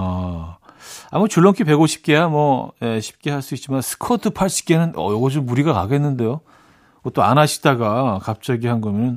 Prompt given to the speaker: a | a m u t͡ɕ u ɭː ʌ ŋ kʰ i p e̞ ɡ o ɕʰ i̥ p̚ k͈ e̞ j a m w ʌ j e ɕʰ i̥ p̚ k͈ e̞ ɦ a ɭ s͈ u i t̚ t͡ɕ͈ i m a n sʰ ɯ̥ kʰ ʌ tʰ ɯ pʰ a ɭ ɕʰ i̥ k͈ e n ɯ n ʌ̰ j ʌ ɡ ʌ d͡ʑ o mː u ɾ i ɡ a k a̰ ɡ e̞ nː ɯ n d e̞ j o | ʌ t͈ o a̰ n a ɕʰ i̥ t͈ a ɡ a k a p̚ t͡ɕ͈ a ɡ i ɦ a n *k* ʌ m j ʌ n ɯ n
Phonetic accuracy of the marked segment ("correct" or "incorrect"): incorrect